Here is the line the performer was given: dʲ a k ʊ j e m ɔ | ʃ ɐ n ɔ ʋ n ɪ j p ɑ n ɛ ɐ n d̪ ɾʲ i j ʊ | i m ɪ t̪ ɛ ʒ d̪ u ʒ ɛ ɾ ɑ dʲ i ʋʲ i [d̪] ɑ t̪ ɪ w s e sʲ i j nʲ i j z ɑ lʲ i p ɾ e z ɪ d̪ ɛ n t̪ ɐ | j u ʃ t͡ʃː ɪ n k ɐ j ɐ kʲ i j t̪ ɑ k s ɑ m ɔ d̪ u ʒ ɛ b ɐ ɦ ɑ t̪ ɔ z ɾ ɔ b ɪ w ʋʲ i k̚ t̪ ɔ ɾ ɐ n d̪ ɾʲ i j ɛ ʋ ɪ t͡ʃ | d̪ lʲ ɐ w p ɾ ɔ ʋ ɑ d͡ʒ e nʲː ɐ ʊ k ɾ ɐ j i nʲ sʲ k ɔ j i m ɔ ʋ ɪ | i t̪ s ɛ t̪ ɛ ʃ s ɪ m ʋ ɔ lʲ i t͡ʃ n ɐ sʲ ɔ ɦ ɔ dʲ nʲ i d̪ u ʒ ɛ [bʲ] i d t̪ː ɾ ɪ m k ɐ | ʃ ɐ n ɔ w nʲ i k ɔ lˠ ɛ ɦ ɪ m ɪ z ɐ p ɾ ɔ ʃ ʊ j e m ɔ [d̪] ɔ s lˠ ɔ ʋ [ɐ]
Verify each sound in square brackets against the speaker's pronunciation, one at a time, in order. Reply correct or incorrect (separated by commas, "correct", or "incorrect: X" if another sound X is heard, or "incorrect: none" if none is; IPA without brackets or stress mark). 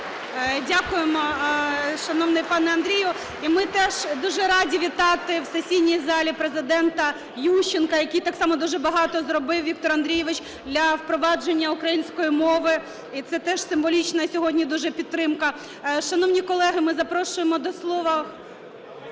incorrect: t̪, incorrect: pʲ, correct, correct